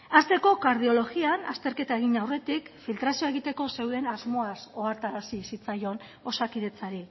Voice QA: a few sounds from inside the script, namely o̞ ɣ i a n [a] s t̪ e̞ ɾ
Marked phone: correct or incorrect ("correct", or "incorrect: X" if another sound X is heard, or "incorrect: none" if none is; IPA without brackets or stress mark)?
correct